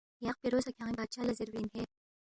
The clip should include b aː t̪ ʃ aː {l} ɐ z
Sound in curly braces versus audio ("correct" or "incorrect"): correct